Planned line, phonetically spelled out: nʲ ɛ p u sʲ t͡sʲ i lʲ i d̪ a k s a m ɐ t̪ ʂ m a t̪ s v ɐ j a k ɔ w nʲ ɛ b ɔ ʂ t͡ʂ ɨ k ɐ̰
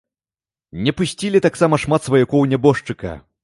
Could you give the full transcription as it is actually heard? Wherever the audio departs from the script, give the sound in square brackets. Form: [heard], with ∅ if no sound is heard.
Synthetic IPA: nʲ ɛ p u sʲ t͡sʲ i lʲ i [t̪] a k s a m ɐ [∅] ʂ m a t̪ s v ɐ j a k ɔ w nʲ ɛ b ɔ ʂ t͡ʂ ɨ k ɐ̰